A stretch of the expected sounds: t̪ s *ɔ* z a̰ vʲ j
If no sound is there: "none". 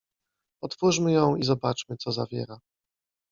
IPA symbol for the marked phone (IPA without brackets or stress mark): ɔ